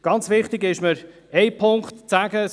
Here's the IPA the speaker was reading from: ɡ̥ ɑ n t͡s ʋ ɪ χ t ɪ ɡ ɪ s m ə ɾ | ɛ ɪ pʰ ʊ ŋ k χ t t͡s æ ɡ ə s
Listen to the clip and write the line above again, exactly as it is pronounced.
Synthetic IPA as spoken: ɡ̥ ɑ n t͡s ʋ ɪ χ t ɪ ɡ ɪ ʃ m ə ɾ | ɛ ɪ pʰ ʊ ŋ k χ t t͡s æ ɡ ə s